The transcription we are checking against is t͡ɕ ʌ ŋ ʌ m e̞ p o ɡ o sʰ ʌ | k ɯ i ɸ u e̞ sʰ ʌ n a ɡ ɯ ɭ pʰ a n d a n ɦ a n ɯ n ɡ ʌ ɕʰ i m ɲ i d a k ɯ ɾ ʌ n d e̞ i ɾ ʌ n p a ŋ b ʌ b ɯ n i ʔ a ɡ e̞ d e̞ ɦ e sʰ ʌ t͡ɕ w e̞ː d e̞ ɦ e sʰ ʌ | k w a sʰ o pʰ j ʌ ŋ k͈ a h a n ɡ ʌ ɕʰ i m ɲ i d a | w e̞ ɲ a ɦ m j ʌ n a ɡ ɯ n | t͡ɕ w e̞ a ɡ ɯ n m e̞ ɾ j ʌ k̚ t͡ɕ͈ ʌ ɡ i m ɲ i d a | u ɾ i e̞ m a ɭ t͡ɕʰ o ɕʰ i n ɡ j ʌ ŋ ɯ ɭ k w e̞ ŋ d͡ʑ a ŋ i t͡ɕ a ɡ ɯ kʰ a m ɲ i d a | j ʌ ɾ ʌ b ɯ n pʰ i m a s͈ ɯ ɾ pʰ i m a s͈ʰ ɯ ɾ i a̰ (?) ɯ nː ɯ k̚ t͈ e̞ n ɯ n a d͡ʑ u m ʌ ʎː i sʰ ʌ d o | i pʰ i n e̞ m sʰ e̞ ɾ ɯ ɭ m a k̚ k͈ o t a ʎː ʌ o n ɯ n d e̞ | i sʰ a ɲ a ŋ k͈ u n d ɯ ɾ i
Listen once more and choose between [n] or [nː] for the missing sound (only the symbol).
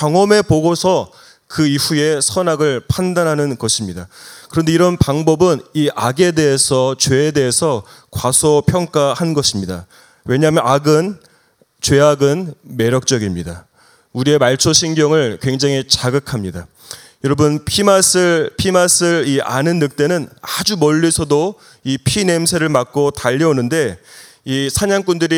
n